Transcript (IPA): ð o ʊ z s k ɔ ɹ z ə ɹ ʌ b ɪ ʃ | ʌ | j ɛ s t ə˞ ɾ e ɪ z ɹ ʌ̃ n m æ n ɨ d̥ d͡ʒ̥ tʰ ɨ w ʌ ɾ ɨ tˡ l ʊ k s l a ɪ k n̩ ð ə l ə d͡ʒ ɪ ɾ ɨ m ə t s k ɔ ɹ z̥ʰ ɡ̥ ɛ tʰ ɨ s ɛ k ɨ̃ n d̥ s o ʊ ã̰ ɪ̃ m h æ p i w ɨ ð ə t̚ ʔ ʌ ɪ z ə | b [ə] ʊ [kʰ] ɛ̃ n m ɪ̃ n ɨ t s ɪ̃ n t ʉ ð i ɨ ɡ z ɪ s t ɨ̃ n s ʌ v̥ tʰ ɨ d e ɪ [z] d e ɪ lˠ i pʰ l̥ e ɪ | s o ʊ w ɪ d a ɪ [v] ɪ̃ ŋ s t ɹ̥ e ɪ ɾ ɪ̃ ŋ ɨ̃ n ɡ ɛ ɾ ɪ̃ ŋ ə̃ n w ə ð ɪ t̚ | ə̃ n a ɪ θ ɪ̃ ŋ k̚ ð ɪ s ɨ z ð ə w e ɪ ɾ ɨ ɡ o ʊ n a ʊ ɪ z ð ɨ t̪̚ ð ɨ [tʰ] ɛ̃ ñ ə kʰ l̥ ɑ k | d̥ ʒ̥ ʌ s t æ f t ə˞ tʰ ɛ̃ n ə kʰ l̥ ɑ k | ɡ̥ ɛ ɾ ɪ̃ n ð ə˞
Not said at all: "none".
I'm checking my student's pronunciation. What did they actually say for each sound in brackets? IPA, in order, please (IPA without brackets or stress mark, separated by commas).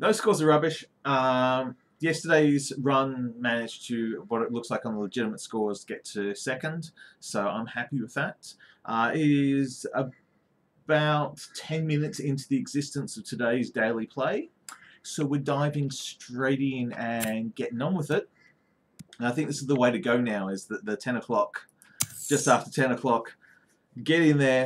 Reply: a, tʰ, z, v, tʰ